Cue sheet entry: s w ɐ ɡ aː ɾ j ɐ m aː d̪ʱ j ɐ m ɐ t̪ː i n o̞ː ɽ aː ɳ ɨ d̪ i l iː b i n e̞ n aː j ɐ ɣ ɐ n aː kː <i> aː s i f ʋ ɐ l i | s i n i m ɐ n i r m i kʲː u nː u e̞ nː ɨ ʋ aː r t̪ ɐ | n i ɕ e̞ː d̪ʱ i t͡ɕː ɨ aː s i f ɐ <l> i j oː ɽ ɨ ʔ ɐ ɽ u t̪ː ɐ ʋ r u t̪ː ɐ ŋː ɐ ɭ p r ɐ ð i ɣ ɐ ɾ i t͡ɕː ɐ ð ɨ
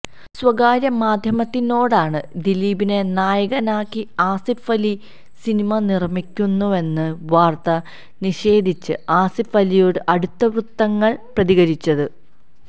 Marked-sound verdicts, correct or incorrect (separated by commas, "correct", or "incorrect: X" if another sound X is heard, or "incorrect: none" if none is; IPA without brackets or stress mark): correct, correct